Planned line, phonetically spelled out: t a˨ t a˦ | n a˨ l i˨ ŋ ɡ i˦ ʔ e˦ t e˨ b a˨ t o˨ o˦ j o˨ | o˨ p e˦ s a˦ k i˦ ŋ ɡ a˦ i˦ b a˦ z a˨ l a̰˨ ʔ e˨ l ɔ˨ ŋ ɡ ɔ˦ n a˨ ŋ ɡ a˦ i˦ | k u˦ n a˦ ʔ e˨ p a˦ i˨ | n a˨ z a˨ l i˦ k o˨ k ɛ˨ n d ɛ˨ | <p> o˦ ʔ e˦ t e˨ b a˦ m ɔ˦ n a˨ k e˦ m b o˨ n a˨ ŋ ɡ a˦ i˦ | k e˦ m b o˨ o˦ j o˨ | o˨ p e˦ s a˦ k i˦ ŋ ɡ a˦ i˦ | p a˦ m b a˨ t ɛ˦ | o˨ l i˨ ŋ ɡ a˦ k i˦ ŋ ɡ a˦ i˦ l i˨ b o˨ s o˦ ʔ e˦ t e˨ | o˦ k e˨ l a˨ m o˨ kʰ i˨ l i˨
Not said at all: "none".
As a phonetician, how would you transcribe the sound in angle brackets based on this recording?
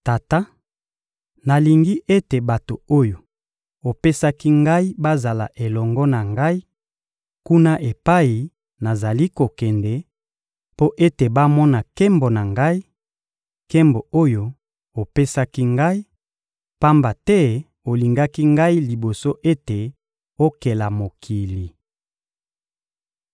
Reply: p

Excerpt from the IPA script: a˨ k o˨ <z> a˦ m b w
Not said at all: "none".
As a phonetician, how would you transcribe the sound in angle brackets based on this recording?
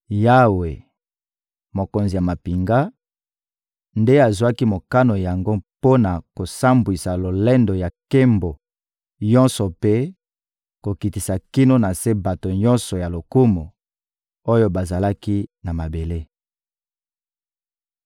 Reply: s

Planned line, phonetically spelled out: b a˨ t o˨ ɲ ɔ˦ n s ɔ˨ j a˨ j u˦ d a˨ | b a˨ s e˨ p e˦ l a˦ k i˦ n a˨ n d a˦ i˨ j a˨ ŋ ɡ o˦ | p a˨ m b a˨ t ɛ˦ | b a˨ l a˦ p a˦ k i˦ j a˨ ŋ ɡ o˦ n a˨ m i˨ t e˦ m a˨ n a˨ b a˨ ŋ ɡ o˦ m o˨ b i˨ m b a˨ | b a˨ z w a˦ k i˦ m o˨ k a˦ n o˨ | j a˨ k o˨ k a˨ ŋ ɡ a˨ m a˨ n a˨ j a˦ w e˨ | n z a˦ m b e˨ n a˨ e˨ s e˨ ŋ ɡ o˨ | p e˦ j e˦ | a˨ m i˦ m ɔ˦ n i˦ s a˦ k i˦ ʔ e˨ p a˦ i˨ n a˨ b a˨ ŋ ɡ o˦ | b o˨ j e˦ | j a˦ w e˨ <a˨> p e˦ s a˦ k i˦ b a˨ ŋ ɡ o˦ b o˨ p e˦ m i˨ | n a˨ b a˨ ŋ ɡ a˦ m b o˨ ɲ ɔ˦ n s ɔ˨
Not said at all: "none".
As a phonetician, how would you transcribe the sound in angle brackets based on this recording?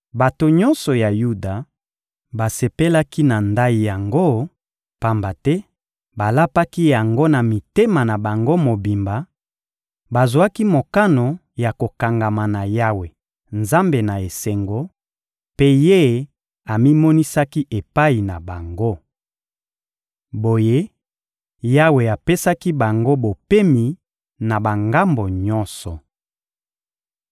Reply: a˨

